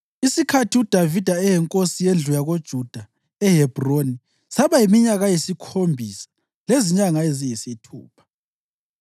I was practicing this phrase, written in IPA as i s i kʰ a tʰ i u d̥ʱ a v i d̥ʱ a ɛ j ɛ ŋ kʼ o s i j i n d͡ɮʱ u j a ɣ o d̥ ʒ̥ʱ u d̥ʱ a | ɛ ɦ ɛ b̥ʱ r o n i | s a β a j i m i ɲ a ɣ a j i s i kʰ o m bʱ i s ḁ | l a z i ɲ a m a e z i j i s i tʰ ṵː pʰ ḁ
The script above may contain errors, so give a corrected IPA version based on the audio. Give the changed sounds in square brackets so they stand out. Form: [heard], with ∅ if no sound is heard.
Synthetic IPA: i s i kʰ a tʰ i u d̥ʱ a v i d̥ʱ a ɛ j ɛ ŋ kʼ o s i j [e] n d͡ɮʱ u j a ɣ o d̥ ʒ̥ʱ u d̥ʱ a | ɛ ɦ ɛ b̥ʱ r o n i | s a β a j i m i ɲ a ɣ a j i s i kʰ o m bʱ i s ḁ | l [e] z i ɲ a [ŋ] a e z i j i s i tʰ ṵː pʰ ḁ